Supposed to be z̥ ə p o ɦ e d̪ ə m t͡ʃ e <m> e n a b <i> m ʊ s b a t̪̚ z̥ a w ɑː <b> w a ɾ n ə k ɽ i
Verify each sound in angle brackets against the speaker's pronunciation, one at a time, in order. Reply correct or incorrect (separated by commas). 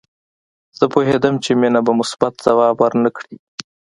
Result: correct, incorrect, correct